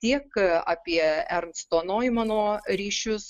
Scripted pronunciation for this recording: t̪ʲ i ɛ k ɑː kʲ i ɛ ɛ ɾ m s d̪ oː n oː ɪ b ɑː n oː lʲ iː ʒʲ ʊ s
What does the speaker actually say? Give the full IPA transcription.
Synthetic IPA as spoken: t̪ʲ i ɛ k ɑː pʲ i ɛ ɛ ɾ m s t̪ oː n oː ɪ m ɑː n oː ɾʲ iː ʃʲ ʊ s